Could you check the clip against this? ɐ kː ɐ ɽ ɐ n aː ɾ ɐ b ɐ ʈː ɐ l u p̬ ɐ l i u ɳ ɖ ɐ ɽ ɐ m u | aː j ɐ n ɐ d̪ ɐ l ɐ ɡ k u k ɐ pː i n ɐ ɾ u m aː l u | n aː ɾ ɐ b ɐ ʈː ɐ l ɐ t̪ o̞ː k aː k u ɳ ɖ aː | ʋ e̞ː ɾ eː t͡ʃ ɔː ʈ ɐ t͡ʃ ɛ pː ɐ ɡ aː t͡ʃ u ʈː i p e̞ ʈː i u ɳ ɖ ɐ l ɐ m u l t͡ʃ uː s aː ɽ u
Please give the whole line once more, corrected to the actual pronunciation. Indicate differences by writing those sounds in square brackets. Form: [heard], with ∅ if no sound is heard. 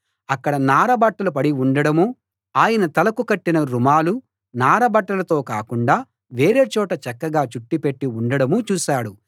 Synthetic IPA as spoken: ɐ kː ɐ ɽ ɐ n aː ɾ ɐ b ɐ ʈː ɐ l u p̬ ɐ [ɽ] i u ɳ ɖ ɐ ɽ ɐ m u | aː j ɐ n ɐ [t̪] ɐ l ɐ [∅] k u k ɐ [ʈː] i n ɐ ɾ u m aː l u | n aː ɾ ɐ b ɐ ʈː ɐ l ɐ t̪ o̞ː k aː k u ɳ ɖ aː | ʋ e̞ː ɾ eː t͡ʃ ɔː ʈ ɐ t͡ʃ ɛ [kː] ɐ ɡ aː t͡ʃ u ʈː i p e̞ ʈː i u ɳ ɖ ɐ [ɽ] ɐ m u [∅] t͡ʃ uː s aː ɽ u